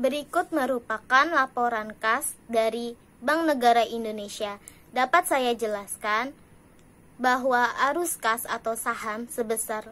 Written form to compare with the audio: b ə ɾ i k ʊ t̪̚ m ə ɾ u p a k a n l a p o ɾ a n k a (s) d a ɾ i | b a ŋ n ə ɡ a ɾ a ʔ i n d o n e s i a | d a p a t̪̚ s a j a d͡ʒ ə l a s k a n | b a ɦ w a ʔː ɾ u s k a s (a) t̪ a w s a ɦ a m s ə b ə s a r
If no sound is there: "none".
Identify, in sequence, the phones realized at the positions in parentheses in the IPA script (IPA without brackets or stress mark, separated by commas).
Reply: s, a